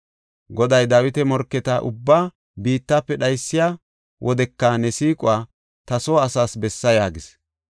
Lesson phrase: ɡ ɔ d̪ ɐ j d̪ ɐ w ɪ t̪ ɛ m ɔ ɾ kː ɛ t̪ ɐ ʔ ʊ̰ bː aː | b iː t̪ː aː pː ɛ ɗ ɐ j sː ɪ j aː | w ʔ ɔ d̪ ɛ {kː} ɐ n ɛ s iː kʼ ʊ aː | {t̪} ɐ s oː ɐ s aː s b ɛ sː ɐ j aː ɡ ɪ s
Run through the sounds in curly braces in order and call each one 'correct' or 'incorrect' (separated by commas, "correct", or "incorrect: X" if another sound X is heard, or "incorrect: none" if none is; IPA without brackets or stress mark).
correct, correct